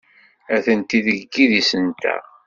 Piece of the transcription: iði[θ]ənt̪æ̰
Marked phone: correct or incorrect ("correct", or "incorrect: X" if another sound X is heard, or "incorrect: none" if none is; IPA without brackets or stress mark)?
incorrect: s